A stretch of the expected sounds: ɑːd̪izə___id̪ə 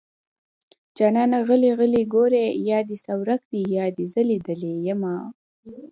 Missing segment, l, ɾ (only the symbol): l